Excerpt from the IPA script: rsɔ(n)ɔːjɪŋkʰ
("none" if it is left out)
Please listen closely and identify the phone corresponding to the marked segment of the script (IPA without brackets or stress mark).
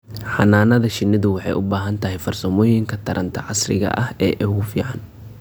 m